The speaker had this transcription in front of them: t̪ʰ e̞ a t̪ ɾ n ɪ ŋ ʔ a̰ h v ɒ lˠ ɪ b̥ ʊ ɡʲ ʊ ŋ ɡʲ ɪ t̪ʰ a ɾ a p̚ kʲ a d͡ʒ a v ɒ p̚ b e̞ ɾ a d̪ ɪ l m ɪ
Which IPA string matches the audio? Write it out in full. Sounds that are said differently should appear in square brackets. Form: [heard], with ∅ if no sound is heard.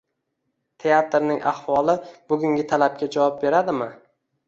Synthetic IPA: t̪ʰ e̞ a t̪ ɾ n ɪ ŋ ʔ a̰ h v ɒ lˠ ɪ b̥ ʊ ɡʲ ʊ ŋ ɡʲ ɪ t̪ʰ a [l] a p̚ kʲ a d͡ʒ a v ɒ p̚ b e̞ ɾ a d̪ ɪ [∅] m ɪ